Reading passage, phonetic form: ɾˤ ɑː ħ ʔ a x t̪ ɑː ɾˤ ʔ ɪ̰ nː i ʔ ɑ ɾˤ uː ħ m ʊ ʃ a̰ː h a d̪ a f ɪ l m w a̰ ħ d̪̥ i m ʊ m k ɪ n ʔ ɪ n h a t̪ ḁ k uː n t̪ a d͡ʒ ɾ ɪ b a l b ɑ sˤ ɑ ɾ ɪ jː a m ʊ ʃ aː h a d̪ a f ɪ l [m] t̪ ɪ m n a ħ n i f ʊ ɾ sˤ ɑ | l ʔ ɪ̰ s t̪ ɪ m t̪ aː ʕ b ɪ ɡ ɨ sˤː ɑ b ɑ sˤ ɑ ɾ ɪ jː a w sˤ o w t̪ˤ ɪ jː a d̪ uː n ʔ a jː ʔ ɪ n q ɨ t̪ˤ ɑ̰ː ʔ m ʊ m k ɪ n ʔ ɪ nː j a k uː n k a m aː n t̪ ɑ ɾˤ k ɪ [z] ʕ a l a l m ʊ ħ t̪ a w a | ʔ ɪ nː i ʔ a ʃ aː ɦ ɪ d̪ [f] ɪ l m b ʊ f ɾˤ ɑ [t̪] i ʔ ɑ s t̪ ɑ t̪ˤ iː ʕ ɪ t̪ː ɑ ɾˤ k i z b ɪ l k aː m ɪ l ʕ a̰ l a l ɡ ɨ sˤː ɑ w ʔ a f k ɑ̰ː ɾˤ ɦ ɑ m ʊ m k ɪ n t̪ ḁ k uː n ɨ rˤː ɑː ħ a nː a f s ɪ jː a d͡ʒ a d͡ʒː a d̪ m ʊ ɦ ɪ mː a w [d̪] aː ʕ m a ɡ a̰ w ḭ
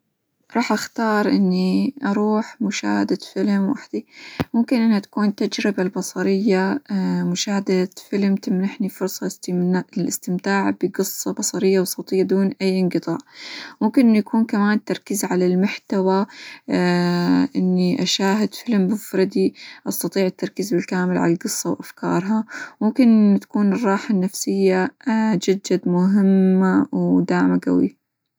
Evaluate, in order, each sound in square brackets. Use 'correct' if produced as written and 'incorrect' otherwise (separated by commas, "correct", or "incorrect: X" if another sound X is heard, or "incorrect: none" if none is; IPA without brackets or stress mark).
correct, correct, correct, incorrect: d̪, correct